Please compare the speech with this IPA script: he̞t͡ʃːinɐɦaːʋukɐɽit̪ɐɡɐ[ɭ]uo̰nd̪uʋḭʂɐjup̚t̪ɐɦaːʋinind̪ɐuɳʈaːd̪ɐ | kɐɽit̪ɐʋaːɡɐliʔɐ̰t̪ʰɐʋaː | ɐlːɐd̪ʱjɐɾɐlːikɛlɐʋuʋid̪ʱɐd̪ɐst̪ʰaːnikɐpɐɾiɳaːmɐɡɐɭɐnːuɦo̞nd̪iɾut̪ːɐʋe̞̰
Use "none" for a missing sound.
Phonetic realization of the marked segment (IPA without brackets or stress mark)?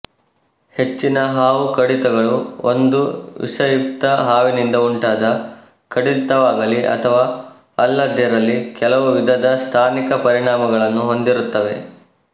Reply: ɭ